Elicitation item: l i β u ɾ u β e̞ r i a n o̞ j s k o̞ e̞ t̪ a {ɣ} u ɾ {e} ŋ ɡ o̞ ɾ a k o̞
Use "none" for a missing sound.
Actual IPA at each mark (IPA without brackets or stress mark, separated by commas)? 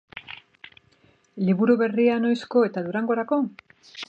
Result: ð, a